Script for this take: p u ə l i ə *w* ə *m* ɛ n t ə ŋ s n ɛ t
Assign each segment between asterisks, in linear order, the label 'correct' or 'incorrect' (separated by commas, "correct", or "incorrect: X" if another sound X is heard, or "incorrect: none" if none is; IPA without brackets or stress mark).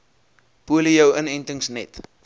correct, incorrect: n